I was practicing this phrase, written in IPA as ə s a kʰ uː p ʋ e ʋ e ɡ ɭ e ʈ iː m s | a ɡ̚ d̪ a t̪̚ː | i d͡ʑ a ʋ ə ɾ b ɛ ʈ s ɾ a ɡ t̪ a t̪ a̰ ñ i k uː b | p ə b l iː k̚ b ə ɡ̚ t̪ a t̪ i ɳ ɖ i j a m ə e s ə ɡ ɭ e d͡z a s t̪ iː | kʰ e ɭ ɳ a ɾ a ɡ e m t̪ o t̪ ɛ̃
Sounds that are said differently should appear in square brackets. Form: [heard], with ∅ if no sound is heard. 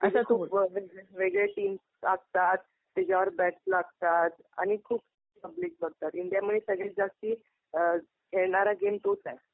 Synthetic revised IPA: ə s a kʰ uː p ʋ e ʋ e ɡ ɭ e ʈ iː m s | a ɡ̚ [t̪] a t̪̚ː | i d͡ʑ a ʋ ə ɾ b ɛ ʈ s [l] a ɡ t̪ a t̪ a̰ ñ i [kʰ] uː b | p ə b l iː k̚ b ə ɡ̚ t̪ a t̪ i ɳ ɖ i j a m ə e s ə ɡ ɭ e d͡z a s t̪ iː | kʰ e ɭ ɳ a ɾ a ɡ e m t̪ o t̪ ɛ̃

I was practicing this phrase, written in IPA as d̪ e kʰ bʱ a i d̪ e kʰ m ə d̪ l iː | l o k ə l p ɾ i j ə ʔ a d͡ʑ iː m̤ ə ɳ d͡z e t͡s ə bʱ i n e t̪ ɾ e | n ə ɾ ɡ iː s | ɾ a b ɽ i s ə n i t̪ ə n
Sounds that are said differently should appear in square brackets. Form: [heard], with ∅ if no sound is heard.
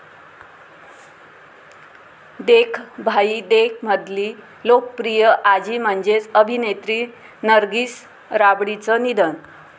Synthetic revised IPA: d̪ e kʰ bʱ a i d̪ e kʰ m ə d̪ l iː | l o k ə [∅] p ɾ i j ə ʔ a d͡ʑ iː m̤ ə ɳ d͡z e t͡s ə bʱ i n e t̪ ɾ [i] | n ə ɾ ɡ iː s | ɾ a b ɽ i [t͡s] ə n i [d̪] ə n

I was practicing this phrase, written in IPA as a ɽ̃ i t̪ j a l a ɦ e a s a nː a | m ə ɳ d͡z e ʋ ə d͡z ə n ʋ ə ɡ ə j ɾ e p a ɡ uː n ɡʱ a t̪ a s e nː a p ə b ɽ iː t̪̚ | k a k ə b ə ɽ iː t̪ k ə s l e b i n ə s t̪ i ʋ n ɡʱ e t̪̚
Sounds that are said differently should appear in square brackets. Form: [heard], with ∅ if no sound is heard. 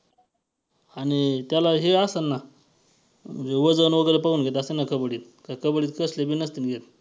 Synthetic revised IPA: a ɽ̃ i t̪ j a l a ɦ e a s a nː a | m ə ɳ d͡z e ʋ ə d͡z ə n ʋ ə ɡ ə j ɾ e p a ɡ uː n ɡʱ [e] t̪ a s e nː a [k] ə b ɽ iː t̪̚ | k a k ə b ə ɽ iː t̪ k ə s l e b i n ə s t̪ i [∅] n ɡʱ e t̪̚

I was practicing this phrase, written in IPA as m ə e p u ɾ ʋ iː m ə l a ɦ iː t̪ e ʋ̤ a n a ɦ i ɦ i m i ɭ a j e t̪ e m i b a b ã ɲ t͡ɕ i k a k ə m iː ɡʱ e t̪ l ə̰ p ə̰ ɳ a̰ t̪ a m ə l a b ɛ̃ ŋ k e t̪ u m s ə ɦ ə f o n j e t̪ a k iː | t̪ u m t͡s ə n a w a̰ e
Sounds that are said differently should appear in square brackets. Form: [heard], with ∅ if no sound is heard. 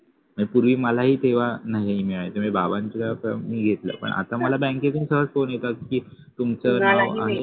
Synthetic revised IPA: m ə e p u ɾ ʋ iː m ə l a ɦ iː t̪ e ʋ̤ a n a ɦ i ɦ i m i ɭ a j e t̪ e m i b a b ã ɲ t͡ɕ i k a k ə m iː ɡʱ e t̪ l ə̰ p ə̰ ɳ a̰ t̪ a m ə l a b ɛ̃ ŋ k e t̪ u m s ə ɦ ə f o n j e t̪ a k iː | t̪ u m t͡s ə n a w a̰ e

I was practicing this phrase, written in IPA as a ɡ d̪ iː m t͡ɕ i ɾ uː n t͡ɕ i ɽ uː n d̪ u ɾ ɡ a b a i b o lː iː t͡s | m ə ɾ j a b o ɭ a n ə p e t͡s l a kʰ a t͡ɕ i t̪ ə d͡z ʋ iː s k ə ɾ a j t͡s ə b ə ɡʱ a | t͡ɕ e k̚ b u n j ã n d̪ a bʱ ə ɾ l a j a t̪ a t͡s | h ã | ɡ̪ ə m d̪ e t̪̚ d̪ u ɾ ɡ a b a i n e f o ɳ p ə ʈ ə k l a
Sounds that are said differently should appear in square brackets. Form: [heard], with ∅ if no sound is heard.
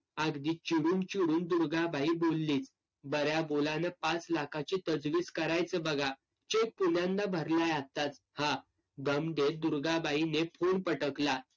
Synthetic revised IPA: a ɡ d̪ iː [∅] t͡ɕ i [ɽ] uː n t͡ɕ i ɽ uː n d̪ u ɾ ɡ a b a i b o lː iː t͡s | [b] ə ɾ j a b o [l] a n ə p [a] t͡s l a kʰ a t͡ɕ i t̪ ə d͡z ʋ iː s k ə ɾ a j t͡s ə b ə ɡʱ a | t͡ɕ e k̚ [p] u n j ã n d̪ a bʱ ə ɾ l a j a t̪ a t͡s | h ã | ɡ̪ ə m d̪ e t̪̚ d̪ u ɾ ɡ a b a i n e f o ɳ p ə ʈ ə k l a

